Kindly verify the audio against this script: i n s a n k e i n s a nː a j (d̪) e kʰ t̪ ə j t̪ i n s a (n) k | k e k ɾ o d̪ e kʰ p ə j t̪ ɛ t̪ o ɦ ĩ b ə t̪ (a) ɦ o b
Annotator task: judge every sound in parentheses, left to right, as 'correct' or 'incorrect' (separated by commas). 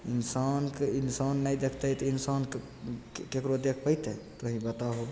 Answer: correct, correct, correct